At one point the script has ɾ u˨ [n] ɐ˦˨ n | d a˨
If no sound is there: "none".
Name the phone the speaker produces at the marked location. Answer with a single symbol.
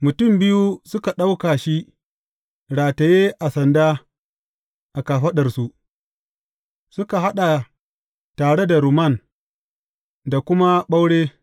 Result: m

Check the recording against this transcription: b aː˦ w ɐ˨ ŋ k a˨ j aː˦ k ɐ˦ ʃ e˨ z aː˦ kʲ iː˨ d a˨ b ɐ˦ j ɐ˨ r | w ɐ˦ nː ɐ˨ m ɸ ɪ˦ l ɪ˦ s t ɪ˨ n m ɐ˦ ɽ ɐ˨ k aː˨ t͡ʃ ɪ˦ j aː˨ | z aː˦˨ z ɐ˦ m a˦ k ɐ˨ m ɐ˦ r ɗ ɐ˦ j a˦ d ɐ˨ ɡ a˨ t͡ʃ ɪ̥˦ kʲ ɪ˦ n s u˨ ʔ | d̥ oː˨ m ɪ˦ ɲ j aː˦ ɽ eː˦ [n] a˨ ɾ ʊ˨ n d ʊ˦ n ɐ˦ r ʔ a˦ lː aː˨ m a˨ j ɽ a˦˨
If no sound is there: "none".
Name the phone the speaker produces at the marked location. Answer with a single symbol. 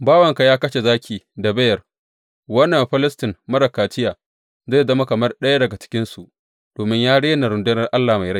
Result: n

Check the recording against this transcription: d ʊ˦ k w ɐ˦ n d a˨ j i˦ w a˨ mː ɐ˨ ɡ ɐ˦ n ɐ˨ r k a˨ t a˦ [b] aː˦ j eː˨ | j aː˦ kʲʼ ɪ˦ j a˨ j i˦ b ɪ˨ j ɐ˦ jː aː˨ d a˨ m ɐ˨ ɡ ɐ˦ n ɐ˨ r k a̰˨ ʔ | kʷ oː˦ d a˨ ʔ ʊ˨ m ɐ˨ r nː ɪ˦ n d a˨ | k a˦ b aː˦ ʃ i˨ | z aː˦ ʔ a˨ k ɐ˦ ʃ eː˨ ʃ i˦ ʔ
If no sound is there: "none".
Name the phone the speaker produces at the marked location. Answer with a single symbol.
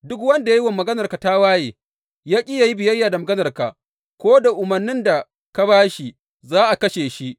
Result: w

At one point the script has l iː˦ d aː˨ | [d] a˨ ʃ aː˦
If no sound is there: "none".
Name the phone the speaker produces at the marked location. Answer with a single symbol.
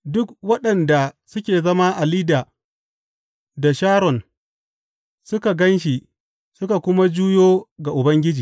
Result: d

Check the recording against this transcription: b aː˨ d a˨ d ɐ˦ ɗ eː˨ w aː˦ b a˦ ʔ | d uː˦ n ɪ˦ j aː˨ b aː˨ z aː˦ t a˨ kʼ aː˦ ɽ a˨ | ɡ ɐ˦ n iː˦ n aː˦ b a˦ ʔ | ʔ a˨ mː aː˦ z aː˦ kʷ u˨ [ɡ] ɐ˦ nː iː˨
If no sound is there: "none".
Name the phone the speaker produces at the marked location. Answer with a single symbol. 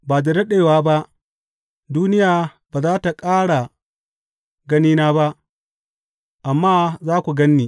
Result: ɡ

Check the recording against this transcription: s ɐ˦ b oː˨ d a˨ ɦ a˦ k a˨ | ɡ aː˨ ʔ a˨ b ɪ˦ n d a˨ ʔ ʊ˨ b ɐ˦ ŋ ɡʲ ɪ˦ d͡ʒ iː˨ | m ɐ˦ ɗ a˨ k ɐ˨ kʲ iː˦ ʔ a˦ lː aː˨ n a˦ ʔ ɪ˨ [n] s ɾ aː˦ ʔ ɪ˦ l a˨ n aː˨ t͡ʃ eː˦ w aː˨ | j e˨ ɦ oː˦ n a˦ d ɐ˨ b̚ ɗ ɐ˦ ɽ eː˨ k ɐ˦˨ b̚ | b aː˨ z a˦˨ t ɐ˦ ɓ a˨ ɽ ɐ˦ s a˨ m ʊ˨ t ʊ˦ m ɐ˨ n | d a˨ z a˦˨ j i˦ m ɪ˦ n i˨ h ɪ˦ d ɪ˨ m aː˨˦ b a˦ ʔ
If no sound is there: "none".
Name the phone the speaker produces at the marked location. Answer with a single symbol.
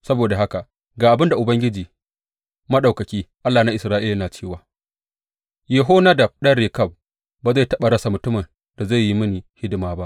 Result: none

